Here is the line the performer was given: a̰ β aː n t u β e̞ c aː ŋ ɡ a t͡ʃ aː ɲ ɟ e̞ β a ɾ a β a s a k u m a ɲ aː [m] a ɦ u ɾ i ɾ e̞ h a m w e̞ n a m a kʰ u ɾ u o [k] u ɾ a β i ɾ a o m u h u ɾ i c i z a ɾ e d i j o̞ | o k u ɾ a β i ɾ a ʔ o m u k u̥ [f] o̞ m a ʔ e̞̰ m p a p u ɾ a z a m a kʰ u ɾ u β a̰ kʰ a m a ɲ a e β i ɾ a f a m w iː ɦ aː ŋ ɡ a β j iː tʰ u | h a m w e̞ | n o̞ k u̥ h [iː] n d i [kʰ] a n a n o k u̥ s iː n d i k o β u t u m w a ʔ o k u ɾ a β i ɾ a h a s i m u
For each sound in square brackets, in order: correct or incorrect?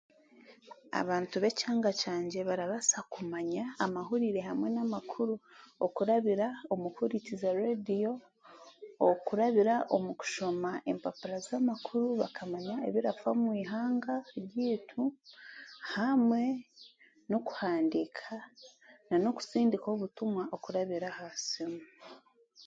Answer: correct, correct, incorrect, incorrect, correct

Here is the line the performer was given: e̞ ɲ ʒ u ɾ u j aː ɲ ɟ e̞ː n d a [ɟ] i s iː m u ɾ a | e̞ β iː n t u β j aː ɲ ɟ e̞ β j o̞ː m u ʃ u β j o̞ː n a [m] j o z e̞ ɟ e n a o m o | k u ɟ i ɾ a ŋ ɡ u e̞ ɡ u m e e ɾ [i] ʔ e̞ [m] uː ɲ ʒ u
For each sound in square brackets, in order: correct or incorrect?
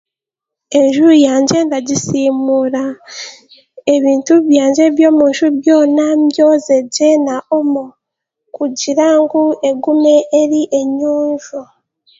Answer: correct, correct, correct, incorrect

